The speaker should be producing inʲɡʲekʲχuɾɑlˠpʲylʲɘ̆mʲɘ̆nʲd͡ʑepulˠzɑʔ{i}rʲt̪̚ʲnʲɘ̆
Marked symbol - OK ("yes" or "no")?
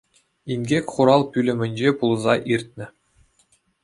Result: yes